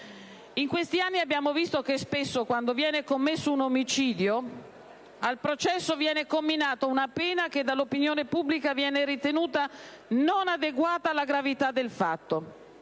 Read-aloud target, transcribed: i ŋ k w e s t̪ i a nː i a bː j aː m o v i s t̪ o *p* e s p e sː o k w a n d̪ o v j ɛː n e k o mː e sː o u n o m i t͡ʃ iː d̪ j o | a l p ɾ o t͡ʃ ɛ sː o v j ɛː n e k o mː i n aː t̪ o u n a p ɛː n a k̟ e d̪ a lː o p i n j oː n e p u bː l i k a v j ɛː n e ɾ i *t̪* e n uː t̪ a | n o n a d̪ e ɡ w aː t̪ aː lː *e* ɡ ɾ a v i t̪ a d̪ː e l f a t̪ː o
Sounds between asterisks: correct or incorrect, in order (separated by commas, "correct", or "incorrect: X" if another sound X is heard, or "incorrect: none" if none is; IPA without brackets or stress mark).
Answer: incorrect: k, correct, incorrect: a